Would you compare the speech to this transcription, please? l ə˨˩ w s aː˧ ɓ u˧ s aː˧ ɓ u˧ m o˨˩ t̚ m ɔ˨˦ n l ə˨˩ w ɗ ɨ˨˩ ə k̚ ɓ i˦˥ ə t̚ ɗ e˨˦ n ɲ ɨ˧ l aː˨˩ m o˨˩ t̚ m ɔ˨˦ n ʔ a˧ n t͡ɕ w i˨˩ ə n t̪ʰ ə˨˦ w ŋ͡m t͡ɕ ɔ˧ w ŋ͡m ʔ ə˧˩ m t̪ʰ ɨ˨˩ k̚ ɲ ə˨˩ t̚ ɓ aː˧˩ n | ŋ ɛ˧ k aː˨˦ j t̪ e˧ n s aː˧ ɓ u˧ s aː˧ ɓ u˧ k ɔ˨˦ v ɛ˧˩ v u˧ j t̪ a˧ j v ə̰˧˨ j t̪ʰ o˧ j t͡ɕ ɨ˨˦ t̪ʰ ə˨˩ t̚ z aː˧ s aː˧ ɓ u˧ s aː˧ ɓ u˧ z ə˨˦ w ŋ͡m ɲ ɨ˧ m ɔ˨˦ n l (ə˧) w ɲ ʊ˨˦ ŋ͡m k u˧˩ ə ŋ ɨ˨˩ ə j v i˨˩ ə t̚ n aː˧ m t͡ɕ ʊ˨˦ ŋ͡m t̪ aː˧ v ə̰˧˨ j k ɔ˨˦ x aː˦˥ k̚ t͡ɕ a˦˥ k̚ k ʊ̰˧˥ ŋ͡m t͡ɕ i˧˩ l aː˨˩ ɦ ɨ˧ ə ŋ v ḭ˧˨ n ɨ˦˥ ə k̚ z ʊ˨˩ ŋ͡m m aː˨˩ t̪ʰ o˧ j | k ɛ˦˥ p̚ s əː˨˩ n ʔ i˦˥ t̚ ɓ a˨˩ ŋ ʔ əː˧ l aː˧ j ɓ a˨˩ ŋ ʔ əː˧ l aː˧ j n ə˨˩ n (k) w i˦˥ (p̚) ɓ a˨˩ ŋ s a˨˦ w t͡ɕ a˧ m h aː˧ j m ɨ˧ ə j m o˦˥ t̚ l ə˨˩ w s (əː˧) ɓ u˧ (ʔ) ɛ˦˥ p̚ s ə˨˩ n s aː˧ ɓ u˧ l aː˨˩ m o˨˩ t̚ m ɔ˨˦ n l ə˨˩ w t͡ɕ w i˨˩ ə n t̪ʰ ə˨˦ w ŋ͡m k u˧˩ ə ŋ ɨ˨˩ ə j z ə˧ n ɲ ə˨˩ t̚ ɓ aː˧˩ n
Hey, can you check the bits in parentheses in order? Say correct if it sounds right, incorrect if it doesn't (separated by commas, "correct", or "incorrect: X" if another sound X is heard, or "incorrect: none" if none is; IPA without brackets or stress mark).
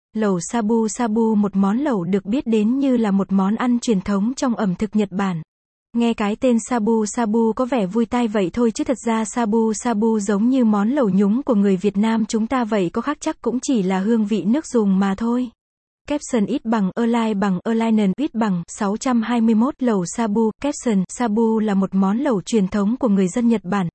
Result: incorrect: ə˨˩, incorrect: ʔ, incorrect: t̚, incorrect: aː˧, incorrect: k